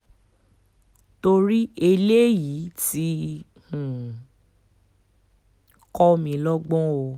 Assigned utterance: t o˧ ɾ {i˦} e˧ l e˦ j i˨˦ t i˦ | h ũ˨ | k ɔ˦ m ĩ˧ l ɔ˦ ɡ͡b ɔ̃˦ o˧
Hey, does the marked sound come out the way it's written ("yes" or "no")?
yes